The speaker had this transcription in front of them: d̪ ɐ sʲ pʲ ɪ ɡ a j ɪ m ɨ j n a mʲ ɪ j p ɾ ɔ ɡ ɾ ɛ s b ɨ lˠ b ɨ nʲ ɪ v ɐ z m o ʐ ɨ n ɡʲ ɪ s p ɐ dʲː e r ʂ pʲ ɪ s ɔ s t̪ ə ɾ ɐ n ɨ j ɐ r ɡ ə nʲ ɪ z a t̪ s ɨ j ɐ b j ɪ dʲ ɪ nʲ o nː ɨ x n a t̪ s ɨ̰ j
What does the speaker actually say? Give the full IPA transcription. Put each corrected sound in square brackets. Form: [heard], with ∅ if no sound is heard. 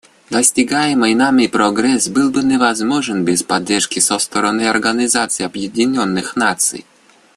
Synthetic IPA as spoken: d̪ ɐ sʲ [tʲ] ɪ ɡ a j ɪ m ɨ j n a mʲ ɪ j p ɾ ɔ ɡ ɾ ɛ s b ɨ lˠ b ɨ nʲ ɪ v ɐ z m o ʐ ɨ n [bʲ] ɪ s p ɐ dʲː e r ʂ [kʲ] ɪ s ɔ s t̪ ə ɾ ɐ n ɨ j ɐ r ɡ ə nʲ ɪ z a t̪ s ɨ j ɐ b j ɪ dʲ ɪ nʲ o nː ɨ x n a t̪ s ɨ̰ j

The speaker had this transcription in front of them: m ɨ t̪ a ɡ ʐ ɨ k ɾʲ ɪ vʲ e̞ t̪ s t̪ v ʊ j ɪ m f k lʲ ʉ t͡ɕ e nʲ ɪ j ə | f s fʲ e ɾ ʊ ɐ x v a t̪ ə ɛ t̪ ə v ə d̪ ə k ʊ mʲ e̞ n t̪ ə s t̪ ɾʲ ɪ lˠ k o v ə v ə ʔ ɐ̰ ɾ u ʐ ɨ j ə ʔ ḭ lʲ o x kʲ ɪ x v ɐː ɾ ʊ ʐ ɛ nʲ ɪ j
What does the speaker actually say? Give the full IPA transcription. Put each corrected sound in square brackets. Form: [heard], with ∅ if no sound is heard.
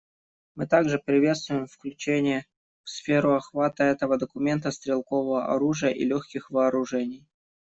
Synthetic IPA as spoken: m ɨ t̪ a ɡ ʐ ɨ [p] ɾʲ ɪ vʲ e̞ t̪ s t̪ v ʊ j ɪ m f k lʲ ʉ t͡ɕ e nʲ ɪ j ə | f s fʲ e ɾ ʊ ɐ x v a t̪ ə ɛ t̪ ə v ə d̪ ə k ʊ mʲ e̞ n t̪ ə s t̪ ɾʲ ɪ lˠ k o v ə v ə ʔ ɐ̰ ɾ u ʐ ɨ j ə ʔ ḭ lʲ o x kʲ ɪ x v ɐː ɾ ʊ ʐ ɛ nʲ ɪ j

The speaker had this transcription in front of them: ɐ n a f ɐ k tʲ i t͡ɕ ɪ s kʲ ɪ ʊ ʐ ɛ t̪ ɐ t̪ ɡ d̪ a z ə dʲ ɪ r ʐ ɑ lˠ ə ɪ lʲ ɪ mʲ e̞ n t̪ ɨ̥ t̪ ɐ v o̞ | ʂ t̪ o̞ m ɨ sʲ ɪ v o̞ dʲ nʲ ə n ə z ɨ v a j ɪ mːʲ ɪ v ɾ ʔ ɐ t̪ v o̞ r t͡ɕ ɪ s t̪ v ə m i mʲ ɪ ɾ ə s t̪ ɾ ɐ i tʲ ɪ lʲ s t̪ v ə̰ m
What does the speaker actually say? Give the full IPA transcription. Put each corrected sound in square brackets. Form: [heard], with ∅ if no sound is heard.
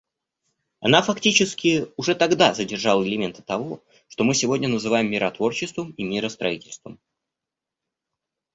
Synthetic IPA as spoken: ɐ n a f ɐ k tʲ i t͡ɕ ɪ s kʲ ɪ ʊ ʐ ɛ t̪ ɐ [∅] ɡ d̪ a z ə dʲ ɪ r ʐ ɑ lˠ ə ɪ lʲ ɪ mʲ e̞ n t̪ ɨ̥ t̪ ɐ v o̞ | ʂ t̪ o̞ m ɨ sʲ ɪ v o̞ dʲ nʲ ə n ə z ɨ v a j ɪ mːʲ ɪ [∅] ɾ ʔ ɐ t̪ v o̞ r t͡ɕ ɪ s t̪ v ə m i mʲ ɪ ɾ ə s t̪ ɾ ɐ i tʲ ɪ lʲ s t̪ v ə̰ m

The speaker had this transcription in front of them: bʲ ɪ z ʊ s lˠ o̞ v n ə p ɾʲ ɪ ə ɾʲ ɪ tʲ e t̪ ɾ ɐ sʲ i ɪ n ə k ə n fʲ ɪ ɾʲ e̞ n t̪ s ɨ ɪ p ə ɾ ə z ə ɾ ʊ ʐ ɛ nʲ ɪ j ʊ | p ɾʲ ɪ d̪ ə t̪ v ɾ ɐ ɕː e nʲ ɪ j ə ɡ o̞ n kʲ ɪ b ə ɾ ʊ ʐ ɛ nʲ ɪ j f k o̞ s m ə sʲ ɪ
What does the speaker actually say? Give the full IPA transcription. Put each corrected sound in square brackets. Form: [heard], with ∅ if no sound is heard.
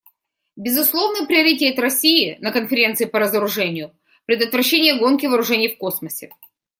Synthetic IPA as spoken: bʲ ɪ z ʊ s lˠ o̞ v n ə p ɾʲ ɪ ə ɾʲ ɪ tʲ e t̪ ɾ ɐ sʲ i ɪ n ə k ə n fʲ ɪ ɾʲ e̞ n t̪ s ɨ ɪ p ə ɾ ə z ə ɾ ʊ ʐ ɛ nʲ ɪ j ʊ | p ɾʲ ɪ d̪ ə t̪ v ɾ ɐ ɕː e nʲ ɪ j ə ɡ o̞ n kʲ ɪ [v] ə ɾ ʊ ʐ ɛ nʲ ɪ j f k o̞ s m ə sʲ ɪ

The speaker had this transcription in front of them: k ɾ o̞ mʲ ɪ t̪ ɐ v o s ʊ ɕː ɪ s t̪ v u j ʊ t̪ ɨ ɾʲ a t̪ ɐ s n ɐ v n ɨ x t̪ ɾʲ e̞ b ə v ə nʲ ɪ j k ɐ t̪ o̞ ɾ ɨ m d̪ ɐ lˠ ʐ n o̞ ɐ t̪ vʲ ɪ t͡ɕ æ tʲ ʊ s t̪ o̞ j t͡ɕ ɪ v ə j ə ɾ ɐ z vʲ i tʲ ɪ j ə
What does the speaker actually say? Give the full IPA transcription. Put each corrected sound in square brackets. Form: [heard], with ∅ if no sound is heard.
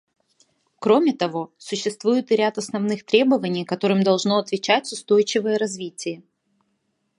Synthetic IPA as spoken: k ɾ o̞ mʲ ɪ t̪ ɐ v o s ʊ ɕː ɪ s t̪ v u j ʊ t̪ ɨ ɾʲ a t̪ ɐ s n ɐ v n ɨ x t̪ ɾʲ e̞ b ə v ə nʲ ɪ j k ɐ t̪ o̞ ɾ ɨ m d̪ ɐ lˠ ʐ n o̞ ɐ t̪ vʲ ɪ t͡ɕ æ tʲ ʊ s t̪ o̞ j t͡ɕ ɪ v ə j ə ɾ ɐ z vʲ i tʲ ɪ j ə

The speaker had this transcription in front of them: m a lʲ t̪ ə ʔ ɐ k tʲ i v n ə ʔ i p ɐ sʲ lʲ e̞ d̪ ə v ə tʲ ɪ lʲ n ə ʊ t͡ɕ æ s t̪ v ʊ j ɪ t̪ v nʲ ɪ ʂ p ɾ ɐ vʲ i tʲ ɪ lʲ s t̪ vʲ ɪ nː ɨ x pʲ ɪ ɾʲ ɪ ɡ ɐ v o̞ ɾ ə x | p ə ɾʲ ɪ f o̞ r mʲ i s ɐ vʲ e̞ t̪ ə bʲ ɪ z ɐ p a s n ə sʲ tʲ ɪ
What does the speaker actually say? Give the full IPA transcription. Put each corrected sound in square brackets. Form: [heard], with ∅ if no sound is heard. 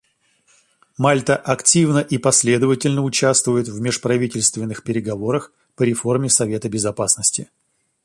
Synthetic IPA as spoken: m a lʲ t̪ ə ʔ ɐ k tʲ i v n ə ʔ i p ɐ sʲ lʲ e̞ d̪ ə v ə tʲ ɪ lʲ n ə ʊ t͡ɕ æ s t̪ v ʊ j ɪ t̪ v [mʲ] ɪ ʂ p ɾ ɐ vʲ i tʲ ɪ lʲ s t̪ vʲ ɪ nː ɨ x pʲ ɪ ɾʲ ɪ ɡ ɐ v o̞ ɾ ə x | p ə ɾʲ ɪ f o̞ r mʲ [ɪ] s ɐ vʲ e̞ t̪ ə bʲ ɪ z ɐ p a s n ə sʲ tʲ ɪ

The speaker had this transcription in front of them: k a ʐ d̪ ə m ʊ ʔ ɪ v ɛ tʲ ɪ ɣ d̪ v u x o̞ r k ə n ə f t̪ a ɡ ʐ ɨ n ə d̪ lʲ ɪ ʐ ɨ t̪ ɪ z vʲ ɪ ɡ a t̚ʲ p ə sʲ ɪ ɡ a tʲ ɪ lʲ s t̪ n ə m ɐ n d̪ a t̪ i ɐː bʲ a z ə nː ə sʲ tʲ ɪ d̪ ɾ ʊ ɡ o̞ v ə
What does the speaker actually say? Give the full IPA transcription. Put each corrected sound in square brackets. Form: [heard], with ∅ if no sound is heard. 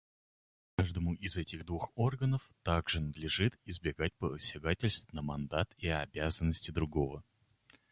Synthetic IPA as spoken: k a ʐ d̪ ə m ʊ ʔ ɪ [z] ɛ tʲ ɪ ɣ d̪ v u x o̞ r [ɡ] ə n ə f t̪ a ɡ ʐ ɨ n ə d̪ lʲ ɪ ʐ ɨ t̪ ɪ z [bʲ] ɪ ɡ a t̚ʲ p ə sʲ ɪ ɡ a tʲ ɪ lʲ s t̪ n ə m ɐ n d̪ a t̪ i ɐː bʲ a z ə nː ə sʲ tʲ ɪ d̪ ɾ ʊ ɡ o̞ v ə

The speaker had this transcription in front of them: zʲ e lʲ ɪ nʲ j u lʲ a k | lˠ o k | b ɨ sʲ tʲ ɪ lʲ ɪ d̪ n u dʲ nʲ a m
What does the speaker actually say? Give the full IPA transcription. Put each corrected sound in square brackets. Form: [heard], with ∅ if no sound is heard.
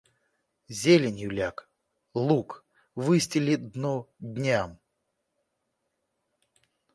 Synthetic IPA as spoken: zʲ e lʲ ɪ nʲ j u lʲ a k | lˠ [u] k | [v] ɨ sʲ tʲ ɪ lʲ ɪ d̪ n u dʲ nʲ a m

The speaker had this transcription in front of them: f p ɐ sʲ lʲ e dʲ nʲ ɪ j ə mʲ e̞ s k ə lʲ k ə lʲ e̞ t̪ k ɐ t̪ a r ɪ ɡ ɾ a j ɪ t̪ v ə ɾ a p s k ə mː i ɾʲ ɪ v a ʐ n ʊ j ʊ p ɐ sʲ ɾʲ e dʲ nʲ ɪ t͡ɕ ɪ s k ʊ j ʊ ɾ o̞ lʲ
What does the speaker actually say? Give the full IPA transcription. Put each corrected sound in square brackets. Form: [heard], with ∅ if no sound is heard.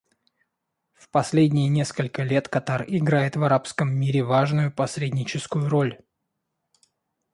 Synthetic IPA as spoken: f p ɐ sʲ lʲ e dʲ nʲ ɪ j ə [nʲ] e̞ s k ə lʲ k ə lʲ e̞ t̪ k ɐ t̪ a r ɪ ɡ ɾ a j ɪ t̪ v [ɐ] ɾ a p s k ə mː i ɾʲ ɪ v a ʐ n ʊ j ʊ p ɐ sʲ ɾʲ e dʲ nʲ ɪ t͡ɕ ɪ s k ʊ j ʊ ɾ o̞ lʲ

